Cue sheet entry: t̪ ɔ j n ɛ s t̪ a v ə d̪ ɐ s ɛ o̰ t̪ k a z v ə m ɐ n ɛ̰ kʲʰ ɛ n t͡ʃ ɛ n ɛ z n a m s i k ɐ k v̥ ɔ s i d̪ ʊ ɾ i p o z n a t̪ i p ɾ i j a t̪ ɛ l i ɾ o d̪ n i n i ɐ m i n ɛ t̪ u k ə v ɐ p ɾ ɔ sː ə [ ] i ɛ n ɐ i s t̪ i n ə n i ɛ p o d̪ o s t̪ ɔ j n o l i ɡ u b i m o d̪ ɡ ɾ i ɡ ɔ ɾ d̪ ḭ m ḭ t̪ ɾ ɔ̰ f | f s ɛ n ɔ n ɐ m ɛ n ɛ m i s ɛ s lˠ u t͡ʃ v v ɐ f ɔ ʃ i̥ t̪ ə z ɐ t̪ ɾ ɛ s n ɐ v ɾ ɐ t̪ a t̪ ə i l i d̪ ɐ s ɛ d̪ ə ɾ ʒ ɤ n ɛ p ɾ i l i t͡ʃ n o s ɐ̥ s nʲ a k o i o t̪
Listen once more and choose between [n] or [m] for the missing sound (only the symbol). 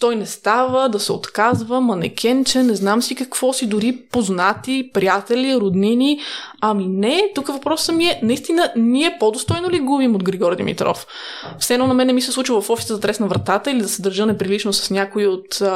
m